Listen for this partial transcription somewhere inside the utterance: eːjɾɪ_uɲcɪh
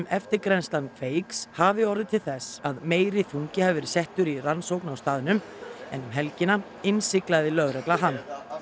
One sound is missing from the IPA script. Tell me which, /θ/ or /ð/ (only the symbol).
θ